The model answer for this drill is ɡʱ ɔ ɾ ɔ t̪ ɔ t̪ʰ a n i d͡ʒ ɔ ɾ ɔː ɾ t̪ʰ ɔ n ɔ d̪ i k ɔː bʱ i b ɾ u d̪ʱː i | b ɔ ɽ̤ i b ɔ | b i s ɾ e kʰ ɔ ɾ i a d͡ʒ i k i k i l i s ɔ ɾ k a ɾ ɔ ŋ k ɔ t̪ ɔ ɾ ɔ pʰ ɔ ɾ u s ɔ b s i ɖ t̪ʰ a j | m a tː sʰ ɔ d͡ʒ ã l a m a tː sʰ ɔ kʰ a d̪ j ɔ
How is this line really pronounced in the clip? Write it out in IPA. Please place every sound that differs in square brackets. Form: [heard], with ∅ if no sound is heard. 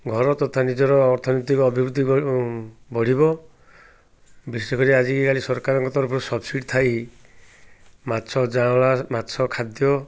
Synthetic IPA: ɡʱ ɔ ɾ ɔ t̪ ɔ t̪ʰ a n i d͡ʒ ɔ ɾ ɔː ɾ t̪ʰ ɔ n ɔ [t̪] i k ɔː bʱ i b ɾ u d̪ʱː i | b ɔ ɽ̤ i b ɔ | b i s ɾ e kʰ ɔ ɾ i a d͡ʒ i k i k [a] l i s ɔ ɾ k a ɾ ɔ ŋ k ɔ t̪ ɔ ɾ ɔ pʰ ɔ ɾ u s ɔ b s i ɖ t̪ʰ a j | m a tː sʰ ɔ d͡ʒ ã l a m a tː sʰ ɔ kʰ a d̪ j ɔ